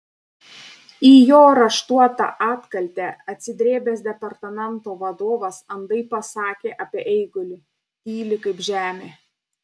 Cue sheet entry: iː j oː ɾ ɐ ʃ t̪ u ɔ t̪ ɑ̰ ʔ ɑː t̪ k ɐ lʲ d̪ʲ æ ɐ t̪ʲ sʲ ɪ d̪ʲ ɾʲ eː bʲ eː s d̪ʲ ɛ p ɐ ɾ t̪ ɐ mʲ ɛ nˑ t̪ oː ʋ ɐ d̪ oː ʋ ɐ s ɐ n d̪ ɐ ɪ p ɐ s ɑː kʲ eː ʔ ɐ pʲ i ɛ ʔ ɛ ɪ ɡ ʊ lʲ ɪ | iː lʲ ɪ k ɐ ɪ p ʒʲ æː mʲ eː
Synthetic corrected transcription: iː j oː ɾ ɐ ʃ t̪ u ɔ t̪ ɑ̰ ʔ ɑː t̪ k ɐ lʲ t̪ʲ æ ɐ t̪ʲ sʲ ɪ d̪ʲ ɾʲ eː bʲ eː s d̪ʲ ɛ p ɐ ɾ t̪ ɐ mʲ ɛ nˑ t̪ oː ʋ ɐ d̪ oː ʋ ɐ s ɐ n d̪ ɐ ɪ p ɐ s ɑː kʲ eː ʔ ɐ pʲ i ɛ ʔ ɛ ɪ ɡ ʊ lʲ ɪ | iː lʲ ɪ k ɐ ɪ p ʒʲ æː mʲ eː